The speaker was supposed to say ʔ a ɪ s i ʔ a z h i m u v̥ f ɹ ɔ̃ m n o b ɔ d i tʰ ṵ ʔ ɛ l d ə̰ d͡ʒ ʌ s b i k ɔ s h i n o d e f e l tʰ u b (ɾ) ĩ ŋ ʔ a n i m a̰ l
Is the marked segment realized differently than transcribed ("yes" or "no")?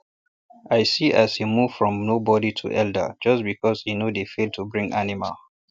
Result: yes